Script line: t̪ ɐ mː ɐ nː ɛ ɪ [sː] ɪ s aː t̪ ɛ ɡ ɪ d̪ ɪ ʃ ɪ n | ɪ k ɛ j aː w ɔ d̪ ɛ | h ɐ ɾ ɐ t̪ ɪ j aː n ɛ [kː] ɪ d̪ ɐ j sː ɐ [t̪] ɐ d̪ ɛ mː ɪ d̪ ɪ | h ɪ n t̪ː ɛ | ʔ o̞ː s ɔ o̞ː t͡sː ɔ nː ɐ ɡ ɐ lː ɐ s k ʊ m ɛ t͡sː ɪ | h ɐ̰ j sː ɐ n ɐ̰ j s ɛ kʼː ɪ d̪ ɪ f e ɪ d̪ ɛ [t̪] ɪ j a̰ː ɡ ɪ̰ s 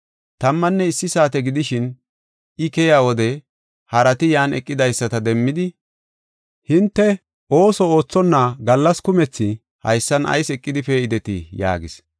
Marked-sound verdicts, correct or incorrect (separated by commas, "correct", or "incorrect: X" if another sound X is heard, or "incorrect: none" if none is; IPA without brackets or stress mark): correct, incorrect: kʼː, correct, correct